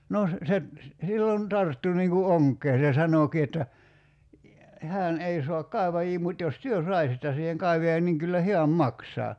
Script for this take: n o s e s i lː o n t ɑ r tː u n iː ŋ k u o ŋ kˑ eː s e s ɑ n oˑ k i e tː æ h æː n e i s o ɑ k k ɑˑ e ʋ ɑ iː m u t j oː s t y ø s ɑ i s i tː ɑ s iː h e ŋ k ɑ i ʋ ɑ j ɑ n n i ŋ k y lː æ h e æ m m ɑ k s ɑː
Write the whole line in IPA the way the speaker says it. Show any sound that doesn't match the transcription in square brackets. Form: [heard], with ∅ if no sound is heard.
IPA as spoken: n o s e s i lː o n t ɑ r tː u n iː ŋ k u o ŋ kˑ eː s e s ɑ n oˑ k i e tː æ h æː n e i s o ɑ k k ɑˑ e ʋ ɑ iː m u t j [o] s t y ø s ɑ i s i tː ɑ s iː h e ŋ k ɑ i ʋ ɑ j ɑ n n i ŋ k y lː æ h e æ m m ɑ k s ɑː